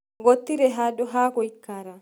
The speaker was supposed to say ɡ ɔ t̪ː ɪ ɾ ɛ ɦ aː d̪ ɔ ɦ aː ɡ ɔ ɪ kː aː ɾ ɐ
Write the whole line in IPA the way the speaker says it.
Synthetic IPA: ɡ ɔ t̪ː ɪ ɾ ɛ ɦ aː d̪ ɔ ɦ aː k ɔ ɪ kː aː ɾ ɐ